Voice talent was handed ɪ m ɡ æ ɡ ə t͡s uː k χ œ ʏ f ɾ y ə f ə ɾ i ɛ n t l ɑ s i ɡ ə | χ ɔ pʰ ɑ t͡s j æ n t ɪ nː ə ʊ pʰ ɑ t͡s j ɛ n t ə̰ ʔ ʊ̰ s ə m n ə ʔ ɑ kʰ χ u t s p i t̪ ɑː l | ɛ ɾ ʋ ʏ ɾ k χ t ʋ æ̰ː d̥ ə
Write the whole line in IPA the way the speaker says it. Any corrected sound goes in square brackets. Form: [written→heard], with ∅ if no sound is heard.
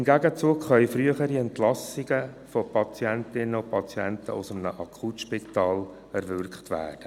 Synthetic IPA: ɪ m ɡ æ ɡ ə t͡s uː k χ œ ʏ f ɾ y ə [f→χ] ə ɾ i ɛ n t l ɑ s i ɡ ə | [χ→f] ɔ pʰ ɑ t͡s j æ n t ɪ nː ə ʊ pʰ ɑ t͡s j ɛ n t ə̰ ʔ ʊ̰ s ə m n ə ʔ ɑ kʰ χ u t [s→ʃ] p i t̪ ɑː l | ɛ ɾ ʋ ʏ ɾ k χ t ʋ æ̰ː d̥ ə

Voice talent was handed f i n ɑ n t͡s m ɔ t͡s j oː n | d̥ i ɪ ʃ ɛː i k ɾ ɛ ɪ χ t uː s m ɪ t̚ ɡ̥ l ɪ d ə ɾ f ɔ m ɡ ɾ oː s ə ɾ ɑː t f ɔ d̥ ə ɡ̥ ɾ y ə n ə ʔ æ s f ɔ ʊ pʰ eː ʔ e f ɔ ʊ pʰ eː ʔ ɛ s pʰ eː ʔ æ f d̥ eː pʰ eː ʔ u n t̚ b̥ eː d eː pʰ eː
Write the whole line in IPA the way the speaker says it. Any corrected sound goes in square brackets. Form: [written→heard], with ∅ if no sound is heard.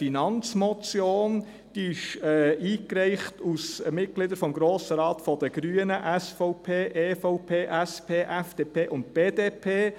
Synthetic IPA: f i n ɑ n t͡s m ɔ t͡s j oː n | d̥ i ɪ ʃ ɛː [i→iː] k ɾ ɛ ɪ χ t [uː→u] s m ɪ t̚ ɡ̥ l ɪ d ə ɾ f ɔ m ɡ ɾ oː s ə ɾ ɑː t f ɔ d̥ ə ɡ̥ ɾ y ə n ə ʔ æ s f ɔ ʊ pʰ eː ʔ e f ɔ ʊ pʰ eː ʔ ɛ s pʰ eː ʔ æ f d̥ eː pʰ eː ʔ [u→ʊ] n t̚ b̥ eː d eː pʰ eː

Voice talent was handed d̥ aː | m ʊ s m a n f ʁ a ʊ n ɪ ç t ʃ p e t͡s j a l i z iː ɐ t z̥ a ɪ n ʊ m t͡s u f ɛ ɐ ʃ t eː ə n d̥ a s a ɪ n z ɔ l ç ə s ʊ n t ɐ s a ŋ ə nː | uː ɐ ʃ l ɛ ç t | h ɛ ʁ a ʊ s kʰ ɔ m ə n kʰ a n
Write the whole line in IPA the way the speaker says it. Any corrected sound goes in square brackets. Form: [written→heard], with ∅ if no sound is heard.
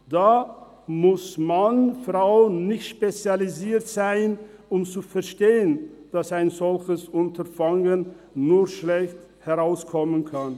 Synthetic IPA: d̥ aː | m ʊ s m a n f ʁ a ʊ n ɪ ç t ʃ p e t͡s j a l i z iː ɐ t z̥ a ɪ n ʊ m t͡s u f ɛ ɐ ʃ t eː ə n d̥ a s a ɪ n z ɔ l ç ə s ʊ n t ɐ [s→f] a ŋ ə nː | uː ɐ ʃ l ɛ ç t | h ɛ ʁ a ʊ s kʰ ɔ m ə n kʰ a n

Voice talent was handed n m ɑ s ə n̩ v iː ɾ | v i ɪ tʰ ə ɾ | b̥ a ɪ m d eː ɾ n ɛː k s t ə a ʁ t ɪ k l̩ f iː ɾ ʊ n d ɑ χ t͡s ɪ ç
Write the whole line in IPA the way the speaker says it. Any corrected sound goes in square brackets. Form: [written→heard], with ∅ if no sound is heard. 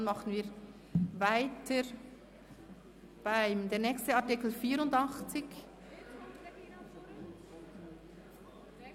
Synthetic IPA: n m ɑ [s→χ] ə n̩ v iː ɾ | v [i→a] ɪ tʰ ə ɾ | b̥ a ɪ m d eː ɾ n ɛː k s t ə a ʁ t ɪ k l̩ f iː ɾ ʊ n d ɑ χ t͡s ɪ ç

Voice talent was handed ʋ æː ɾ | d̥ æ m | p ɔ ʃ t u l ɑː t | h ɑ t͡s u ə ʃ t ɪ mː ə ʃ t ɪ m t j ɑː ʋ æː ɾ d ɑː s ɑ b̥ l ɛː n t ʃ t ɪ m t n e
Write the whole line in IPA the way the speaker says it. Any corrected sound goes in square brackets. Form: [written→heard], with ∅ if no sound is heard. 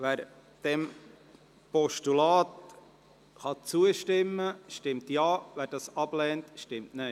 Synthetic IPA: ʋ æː ɾ | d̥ [æ→ɛ] m | p ɔ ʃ t u l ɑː t | [h→χ] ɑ t͡s u ə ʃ t ɪ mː ə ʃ t ɪ m t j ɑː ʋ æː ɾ d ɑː s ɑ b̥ l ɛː n t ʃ t ɪ m t n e

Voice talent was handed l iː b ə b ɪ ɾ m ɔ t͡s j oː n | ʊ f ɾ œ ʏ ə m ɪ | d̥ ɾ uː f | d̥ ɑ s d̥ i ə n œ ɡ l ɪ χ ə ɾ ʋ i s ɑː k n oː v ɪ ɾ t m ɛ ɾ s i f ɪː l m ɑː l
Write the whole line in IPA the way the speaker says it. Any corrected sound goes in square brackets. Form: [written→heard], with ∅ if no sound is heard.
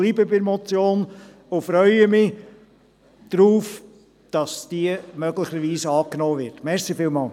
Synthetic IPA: l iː b ə b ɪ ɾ m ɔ t͡s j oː n | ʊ f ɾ œ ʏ ə m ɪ | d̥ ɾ uː f | d̥ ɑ s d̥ i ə [n→m] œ ɡ l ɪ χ ə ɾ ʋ [i→iː] s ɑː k n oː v ɪ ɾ t m ɛ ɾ s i f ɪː l m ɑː l

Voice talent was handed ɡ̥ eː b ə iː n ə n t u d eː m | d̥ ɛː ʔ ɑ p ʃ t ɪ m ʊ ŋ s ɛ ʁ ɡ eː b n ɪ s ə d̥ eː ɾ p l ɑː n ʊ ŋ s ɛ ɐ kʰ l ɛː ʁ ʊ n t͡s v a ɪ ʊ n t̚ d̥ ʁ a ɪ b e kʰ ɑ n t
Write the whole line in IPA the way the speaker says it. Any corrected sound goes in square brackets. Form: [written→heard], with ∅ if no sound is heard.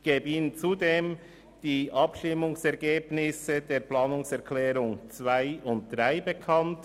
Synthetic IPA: ɡ̥ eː b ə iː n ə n [t→t͡s] u d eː m | d̥ [ɛː→iː] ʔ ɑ p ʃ t ɪ m ʊ ŋ s ɛ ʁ ɡ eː b n ɪ s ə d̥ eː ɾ p l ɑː n ʊ ŋ s ɛ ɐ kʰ l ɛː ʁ ʊ [n→ŋ] t͡s v a ɪ ʊ n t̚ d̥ ʁ a ɪ b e kʰ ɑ n t

